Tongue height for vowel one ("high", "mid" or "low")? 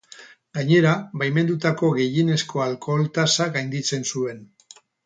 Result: low